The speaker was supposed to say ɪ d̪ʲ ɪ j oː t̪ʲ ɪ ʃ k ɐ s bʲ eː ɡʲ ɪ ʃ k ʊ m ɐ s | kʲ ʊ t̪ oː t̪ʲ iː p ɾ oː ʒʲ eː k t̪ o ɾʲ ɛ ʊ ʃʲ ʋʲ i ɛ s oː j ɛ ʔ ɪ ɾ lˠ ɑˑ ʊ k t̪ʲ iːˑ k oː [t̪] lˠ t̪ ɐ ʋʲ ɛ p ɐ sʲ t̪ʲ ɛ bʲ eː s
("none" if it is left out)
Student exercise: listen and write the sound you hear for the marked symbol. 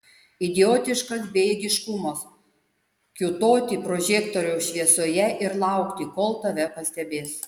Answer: none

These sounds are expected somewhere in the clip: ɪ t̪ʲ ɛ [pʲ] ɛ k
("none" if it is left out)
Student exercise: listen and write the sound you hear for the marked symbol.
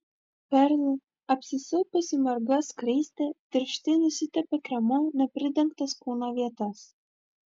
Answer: pʲ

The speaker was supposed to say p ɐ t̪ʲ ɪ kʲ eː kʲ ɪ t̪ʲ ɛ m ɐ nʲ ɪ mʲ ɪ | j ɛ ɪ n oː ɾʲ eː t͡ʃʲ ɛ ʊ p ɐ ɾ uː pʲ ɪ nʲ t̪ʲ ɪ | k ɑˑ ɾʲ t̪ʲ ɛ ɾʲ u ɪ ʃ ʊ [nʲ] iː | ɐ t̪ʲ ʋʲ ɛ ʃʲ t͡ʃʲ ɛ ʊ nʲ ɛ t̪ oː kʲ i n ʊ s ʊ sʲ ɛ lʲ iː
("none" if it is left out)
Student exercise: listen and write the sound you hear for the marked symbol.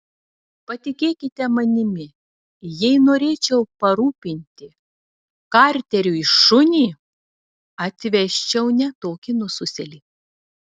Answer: nʲ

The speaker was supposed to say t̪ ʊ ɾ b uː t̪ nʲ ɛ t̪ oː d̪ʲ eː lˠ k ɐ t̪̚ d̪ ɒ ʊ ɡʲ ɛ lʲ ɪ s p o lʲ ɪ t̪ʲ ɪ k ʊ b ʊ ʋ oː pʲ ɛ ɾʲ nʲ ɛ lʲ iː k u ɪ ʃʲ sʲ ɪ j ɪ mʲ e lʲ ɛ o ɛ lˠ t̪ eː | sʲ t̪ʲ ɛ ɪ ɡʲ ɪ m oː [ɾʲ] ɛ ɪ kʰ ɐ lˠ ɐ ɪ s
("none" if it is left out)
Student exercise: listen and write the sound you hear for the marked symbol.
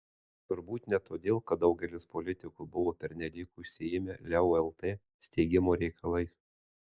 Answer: ɾʲ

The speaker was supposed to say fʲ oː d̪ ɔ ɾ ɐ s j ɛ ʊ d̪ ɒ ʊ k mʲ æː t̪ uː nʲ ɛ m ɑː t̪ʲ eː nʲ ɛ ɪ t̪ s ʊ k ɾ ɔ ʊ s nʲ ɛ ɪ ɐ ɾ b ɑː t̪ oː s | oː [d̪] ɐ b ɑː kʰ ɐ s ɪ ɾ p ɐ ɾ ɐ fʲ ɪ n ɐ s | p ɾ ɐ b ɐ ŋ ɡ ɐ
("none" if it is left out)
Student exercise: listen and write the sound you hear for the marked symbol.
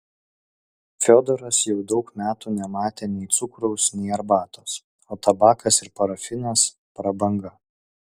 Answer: t̪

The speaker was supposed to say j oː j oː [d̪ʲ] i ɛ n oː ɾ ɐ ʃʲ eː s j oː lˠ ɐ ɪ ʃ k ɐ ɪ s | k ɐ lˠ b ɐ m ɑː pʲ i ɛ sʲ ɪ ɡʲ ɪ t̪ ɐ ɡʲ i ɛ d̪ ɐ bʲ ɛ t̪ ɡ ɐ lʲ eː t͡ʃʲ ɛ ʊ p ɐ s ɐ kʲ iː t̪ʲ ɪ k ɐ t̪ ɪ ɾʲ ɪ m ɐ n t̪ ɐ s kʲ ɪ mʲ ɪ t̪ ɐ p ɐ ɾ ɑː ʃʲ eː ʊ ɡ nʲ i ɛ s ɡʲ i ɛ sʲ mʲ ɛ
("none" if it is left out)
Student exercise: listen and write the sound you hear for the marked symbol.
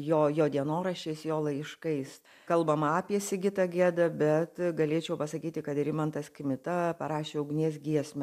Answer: d̪ʲ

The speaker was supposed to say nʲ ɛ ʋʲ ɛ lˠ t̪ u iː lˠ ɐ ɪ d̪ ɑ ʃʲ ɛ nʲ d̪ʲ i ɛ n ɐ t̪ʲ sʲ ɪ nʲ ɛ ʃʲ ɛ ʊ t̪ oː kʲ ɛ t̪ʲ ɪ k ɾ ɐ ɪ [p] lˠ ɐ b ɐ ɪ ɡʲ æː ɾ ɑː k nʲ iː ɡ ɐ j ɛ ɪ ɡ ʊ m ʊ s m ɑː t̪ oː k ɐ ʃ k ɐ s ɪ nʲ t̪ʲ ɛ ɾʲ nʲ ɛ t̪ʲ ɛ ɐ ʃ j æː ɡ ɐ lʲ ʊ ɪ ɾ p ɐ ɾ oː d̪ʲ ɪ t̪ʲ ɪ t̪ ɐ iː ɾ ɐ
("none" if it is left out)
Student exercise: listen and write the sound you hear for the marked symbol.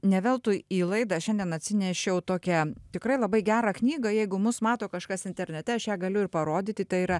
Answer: none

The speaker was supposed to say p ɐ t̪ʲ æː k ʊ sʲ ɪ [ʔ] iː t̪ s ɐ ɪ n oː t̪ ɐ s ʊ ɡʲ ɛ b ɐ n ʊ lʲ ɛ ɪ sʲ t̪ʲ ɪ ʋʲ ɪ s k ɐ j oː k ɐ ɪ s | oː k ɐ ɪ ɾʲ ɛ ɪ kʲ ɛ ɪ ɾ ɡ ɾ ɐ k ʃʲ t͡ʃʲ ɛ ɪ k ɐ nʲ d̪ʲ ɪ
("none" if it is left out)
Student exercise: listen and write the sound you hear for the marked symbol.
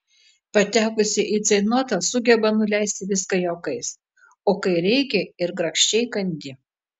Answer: ʔ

